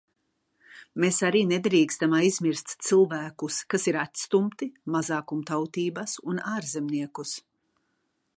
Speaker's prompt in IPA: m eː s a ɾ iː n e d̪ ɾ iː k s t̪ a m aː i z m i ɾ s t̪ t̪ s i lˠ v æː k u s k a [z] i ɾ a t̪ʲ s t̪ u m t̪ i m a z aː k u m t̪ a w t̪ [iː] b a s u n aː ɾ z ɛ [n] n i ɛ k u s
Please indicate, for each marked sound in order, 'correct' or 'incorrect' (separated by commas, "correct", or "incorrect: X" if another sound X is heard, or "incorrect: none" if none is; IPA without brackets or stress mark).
incorrect: s, correct, incorrect: m